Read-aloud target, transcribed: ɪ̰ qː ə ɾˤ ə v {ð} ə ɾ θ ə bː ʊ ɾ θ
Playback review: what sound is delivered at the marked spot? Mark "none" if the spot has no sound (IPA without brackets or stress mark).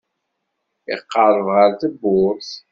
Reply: ʁ